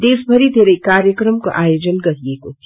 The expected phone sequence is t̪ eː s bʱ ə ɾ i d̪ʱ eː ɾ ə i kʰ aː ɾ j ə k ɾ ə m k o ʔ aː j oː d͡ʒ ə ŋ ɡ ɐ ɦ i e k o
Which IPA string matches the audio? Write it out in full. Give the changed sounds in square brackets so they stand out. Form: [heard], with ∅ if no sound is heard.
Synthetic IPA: [d̪] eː s bʱ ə ɾ i d̪ʱ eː ɾ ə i [k] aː ɾ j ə k ɾ ə m k o ʔ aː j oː d͡ʒ ə [n] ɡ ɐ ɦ i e k o